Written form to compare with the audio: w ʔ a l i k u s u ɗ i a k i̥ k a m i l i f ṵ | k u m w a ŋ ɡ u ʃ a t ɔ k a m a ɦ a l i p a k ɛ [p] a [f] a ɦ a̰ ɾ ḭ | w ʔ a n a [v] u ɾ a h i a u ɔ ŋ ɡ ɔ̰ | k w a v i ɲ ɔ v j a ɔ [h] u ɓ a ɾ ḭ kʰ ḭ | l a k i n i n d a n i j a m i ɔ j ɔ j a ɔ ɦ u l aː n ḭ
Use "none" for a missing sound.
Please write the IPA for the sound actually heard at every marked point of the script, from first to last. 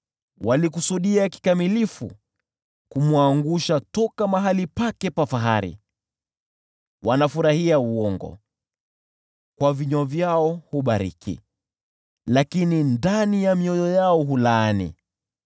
p, f, f, h

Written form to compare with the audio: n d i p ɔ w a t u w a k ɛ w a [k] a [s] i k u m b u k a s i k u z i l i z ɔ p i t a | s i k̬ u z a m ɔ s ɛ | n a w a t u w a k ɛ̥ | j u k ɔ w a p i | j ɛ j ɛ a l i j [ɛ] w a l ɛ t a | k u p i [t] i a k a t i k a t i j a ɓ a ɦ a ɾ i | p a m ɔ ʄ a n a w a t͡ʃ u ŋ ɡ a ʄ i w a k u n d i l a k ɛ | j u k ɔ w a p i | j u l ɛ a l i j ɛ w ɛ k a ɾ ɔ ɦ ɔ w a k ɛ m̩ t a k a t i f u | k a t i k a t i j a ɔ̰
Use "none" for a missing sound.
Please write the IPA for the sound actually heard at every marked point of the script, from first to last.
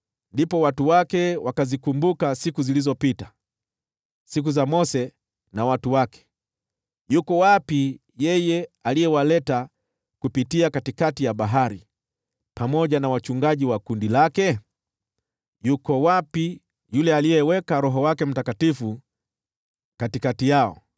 k, z, ɛ, t

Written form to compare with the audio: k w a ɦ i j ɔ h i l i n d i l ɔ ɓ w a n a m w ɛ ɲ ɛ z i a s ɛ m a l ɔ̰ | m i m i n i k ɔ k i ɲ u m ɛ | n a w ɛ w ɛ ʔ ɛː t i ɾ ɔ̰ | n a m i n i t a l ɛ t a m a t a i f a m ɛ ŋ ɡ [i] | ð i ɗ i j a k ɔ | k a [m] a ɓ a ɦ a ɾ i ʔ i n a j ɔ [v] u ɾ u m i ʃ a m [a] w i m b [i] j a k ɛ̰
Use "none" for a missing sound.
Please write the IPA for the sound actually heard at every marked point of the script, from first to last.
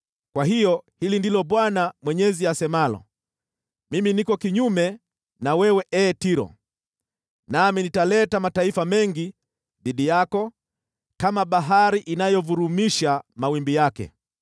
i, m, v, a, i

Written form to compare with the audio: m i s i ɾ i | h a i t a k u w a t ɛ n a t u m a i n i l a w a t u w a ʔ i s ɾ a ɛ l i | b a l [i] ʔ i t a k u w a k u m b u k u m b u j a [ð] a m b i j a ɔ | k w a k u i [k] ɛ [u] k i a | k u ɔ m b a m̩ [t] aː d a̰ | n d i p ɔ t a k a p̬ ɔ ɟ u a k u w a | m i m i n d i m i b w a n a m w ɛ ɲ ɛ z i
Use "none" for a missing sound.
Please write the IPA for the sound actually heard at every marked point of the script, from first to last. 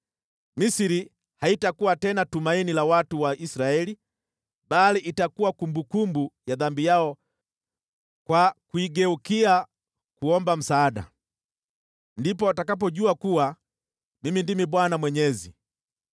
i, ð, ɡ, u, s

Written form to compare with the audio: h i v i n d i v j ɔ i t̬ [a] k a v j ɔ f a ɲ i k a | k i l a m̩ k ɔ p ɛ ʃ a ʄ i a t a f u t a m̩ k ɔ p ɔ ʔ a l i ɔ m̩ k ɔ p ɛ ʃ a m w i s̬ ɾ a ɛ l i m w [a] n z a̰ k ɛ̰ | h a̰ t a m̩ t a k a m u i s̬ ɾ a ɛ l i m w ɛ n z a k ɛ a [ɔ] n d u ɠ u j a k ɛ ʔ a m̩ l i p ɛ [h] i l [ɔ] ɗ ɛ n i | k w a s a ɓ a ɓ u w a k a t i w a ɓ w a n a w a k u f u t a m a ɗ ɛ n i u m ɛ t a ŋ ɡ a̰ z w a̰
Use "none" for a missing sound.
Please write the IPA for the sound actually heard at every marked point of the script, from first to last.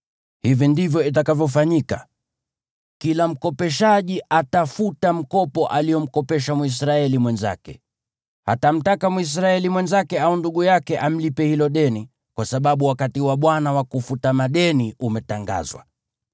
a, ɛ, u, h, ɔ

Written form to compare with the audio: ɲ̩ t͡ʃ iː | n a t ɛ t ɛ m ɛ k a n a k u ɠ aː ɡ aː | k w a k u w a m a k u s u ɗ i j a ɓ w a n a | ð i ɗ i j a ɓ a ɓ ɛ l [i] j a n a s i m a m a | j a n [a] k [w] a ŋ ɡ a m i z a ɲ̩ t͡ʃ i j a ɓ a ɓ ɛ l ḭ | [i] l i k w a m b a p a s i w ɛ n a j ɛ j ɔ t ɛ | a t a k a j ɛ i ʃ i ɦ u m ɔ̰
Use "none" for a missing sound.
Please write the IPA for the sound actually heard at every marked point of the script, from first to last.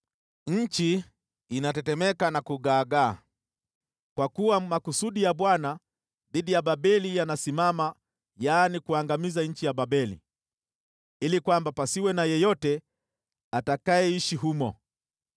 i, i, u, i

